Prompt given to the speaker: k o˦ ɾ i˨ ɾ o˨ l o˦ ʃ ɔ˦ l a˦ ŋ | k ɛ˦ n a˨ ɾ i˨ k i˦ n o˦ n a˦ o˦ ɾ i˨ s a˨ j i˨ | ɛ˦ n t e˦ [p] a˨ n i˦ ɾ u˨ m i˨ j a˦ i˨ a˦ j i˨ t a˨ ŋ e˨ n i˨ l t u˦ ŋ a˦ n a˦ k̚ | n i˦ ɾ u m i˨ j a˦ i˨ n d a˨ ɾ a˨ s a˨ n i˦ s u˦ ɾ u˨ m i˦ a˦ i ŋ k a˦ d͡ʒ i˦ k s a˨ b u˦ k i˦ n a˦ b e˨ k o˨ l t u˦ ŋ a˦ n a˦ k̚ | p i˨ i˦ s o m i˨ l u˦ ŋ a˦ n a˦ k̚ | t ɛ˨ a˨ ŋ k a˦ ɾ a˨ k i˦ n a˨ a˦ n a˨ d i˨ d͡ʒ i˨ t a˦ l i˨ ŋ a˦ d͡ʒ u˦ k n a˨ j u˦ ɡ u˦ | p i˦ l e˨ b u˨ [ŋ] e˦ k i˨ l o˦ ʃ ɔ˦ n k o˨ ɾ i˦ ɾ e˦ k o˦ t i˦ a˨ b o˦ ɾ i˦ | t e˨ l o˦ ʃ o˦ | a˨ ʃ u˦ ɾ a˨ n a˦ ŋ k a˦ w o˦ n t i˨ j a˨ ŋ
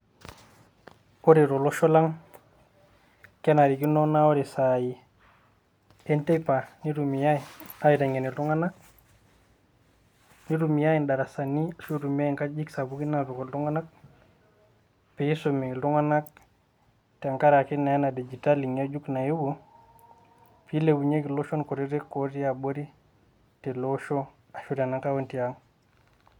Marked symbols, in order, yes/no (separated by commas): yes, no